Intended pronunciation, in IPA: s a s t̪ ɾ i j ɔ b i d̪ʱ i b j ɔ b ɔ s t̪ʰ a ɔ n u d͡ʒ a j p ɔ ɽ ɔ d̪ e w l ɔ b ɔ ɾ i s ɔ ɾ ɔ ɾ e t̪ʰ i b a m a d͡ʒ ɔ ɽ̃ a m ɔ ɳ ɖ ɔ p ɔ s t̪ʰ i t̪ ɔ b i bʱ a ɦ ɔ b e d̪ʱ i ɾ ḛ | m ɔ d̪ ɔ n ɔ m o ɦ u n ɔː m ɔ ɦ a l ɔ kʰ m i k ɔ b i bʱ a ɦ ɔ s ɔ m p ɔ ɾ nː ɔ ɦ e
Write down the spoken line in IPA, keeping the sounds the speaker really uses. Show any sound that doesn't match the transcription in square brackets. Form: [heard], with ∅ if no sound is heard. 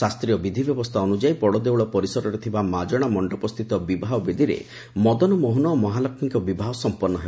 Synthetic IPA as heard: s a s t̪ ɾ i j ɔ b i d̪ʱ i b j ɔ b ɔ s t̪ʰ a ɔ n u d͡ʒ a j p ɔ ɽ ɔ d̪ e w [ɭ] ɔ [p] ɔ ɾ i s ɔ ɾ ɔ ɾ e t̪ʰ i b a m a d͡ʒ ɔ ɽ̃ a m ɔ ɳ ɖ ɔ p ɔ s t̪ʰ i t̪ ɔ b i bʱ a ɦ ɔ b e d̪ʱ i ɾ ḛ | m ɔ d̪ ɔ n ɔ m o ɦ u n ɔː m ɔ ɦ a l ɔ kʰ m i k ɔ b i bʱ a ɦ ɔ s ɔ m p ɔ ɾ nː ɔ ɦ e